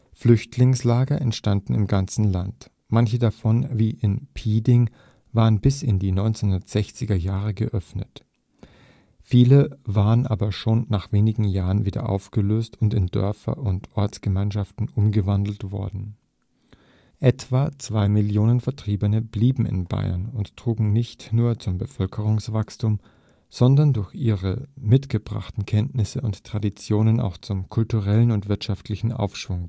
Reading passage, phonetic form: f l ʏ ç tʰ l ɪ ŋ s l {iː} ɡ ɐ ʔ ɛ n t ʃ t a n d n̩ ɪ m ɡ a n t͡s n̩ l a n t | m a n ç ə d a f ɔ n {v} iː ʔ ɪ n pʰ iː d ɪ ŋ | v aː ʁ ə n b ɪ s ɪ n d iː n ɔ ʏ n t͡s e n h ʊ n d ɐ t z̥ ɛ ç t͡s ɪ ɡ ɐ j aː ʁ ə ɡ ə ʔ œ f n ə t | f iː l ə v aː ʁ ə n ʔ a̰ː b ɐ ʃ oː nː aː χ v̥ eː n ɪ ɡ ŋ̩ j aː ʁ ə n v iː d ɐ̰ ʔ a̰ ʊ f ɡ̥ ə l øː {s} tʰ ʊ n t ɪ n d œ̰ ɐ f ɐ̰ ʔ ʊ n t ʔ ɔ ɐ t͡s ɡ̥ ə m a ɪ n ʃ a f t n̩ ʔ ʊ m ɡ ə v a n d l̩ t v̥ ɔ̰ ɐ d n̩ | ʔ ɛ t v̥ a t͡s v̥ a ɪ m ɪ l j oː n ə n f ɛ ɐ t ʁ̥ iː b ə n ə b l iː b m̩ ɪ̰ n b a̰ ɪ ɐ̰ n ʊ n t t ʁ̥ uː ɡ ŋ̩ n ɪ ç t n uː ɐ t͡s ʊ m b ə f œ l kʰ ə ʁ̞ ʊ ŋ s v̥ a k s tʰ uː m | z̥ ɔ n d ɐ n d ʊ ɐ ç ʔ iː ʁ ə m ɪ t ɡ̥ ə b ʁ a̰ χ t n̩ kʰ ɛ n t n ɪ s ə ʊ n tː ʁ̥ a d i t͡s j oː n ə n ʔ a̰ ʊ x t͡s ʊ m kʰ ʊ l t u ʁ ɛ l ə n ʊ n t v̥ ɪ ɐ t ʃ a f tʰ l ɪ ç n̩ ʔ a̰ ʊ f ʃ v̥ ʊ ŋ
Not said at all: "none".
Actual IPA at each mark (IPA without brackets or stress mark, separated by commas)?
aː, v, s